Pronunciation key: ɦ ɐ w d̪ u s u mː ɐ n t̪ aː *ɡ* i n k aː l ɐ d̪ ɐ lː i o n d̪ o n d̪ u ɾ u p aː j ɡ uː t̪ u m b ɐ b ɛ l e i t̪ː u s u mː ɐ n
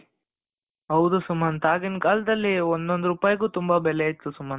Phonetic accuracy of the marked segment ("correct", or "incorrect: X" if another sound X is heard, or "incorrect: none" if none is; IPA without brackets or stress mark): correct